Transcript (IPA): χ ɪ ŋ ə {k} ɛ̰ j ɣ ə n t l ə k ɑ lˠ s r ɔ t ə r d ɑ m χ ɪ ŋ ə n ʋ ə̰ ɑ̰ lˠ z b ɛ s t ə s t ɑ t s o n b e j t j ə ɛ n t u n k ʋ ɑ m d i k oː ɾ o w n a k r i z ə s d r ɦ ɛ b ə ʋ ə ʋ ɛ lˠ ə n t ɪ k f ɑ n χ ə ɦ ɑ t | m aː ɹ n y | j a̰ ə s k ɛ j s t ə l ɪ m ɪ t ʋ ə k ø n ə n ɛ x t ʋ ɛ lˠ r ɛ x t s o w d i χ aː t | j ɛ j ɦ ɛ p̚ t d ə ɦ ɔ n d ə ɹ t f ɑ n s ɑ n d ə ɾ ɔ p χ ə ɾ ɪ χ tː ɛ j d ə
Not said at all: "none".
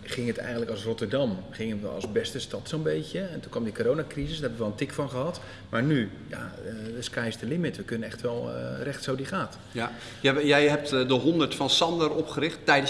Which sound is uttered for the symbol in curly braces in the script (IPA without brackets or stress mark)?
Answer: t